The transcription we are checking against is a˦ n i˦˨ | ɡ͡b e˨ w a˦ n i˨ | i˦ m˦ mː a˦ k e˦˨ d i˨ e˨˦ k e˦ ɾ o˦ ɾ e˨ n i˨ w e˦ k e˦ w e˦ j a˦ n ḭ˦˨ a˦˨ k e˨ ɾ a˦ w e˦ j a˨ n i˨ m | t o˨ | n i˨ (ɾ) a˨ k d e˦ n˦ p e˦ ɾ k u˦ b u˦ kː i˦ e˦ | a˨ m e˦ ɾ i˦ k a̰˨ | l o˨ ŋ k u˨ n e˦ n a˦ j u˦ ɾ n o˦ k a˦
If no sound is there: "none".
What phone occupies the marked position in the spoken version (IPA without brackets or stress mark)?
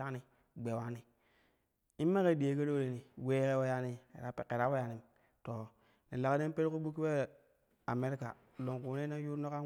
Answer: l